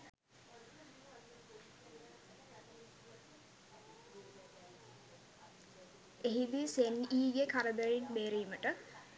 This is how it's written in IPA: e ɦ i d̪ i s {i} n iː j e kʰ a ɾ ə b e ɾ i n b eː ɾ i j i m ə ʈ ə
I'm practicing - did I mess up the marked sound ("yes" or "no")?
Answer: yes